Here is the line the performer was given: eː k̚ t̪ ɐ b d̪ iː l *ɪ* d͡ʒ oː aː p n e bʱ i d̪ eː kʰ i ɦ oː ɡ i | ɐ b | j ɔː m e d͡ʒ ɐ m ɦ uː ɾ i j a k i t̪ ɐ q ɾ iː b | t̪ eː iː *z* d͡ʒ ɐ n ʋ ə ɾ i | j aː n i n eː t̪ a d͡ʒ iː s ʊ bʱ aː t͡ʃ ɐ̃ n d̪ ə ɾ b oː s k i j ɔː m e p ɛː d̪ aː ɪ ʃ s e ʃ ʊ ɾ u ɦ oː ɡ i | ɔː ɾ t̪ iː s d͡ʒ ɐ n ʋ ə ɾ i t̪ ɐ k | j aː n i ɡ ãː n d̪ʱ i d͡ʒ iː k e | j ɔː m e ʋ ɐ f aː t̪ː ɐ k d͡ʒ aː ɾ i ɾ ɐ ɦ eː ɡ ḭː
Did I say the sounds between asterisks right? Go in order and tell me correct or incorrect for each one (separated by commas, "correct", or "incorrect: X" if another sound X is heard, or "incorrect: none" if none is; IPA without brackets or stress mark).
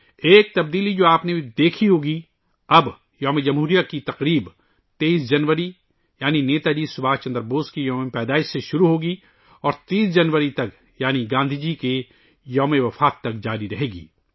incorrect: i, incorrect: s